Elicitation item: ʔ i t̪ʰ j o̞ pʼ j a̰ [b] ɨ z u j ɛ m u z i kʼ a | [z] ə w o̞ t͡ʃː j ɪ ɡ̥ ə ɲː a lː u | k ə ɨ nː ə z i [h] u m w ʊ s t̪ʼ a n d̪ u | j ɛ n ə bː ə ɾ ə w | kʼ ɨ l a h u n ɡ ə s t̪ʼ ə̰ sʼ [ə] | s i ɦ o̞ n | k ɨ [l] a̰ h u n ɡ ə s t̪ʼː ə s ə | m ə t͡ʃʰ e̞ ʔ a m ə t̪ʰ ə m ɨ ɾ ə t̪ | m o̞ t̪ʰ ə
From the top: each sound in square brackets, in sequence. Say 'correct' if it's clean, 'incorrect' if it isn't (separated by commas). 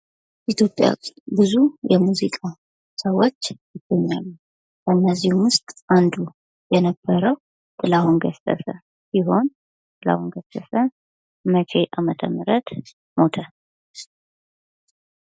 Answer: correct, incorrect, correct, correct, correct